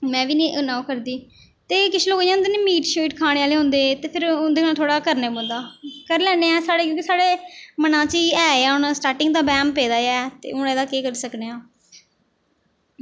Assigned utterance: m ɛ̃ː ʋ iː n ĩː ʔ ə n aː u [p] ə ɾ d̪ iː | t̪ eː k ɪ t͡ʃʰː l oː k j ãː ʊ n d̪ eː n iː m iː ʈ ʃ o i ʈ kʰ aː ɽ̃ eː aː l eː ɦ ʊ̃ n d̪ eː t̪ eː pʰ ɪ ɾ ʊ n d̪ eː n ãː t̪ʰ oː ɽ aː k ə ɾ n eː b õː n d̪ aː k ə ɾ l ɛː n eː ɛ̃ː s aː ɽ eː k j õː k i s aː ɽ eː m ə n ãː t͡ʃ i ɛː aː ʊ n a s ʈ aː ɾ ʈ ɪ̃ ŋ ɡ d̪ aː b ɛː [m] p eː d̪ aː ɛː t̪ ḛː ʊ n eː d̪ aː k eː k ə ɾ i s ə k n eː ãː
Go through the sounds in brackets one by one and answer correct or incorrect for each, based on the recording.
incorrect, correct

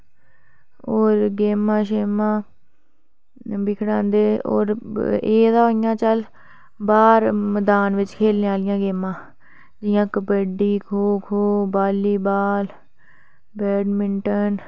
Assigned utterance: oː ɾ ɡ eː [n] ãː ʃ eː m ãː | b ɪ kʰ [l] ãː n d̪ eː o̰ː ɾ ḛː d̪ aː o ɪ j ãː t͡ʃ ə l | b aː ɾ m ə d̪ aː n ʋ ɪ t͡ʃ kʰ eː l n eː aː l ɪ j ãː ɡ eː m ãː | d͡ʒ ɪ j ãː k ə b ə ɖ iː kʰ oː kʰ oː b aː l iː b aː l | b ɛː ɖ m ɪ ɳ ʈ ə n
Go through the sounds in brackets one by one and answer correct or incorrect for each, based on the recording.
incorrect, incorrect

